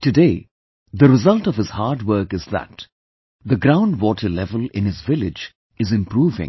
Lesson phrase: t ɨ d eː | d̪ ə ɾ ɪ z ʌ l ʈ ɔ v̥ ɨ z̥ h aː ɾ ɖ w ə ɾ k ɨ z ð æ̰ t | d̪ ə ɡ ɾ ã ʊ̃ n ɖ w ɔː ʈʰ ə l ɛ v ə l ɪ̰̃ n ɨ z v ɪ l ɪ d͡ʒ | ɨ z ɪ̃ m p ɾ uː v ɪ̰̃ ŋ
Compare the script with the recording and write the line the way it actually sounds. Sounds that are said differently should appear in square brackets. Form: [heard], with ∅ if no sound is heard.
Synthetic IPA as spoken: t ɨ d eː | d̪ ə ɾ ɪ z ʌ l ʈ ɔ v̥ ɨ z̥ h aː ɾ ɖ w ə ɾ k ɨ z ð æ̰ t | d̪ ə ɡ ɾ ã ʊ̃ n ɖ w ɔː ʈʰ ə l ɛ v ə l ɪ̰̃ n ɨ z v ɪ l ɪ d͡ʒ | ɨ z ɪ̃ m p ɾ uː v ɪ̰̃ ŋ